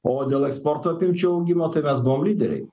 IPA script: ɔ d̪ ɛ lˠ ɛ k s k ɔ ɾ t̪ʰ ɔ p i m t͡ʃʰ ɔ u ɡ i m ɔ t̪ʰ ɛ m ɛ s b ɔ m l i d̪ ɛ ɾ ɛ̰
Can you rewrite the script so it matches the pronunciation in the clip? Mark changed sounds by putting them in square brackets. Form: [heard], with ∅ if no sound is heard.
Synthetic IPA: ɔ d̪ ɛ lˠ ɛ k s [p] ɔ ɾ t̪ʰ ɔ p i m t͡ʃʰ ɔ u ɡ i m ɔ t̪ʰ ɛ m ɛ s b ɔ m l i d̪ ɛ ɾ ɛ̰